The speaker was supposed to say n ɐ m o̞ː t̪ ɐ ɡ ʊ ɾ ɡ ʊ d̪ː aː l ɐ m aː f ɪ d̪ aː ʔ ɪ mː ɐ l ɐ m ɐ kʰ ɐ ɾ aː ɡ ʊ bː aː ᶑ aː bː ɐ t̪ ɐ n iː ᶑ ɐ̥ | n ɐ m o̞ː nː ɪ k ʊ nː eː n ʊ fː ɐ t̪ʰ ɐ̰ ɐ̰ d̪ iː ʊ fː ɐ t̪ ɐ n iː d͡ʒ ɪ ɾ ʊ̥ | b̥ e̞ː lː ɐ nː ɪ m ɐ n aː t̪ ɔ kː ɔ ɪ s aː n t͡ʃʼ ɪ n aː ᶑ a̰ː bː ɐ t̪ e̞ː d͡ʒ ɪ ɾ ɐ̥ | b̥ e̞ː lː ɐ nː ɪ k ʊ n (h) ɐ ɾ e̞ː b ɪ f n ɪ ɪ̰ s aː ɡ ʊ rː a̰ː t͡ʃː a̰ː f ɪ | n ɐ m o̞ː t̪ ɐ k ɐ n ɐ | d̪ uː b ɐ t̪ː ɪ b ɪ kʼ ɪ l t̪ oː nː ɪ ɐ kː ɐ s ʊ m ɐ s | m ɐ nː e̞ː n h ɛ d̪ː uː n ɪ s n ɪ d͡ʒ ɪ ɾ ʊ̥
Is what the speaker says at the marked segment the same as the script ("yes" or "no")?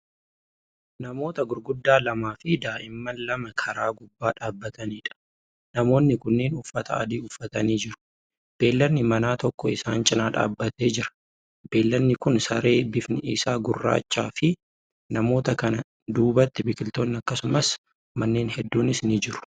no